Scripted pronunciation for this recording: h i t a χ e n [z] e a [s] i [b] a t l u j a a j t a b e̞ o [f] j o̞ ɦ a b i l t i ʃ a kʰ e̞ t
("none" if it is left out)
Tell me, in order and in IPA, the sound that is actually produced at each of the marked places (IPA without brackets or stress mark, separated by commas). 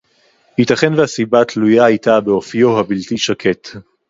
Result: v, s, b, f